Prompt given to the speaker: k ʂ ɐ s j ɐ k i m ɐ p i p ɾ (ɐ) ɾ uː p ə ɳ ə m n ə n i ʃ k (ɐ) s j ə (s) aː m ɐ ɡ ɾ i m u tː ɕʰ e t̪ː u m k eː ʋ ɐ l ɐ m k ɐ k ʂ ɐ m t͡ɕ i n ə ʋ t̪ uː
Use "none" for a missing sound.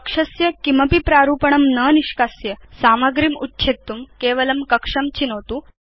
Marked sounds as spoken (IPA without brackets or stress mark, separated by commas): a, a, s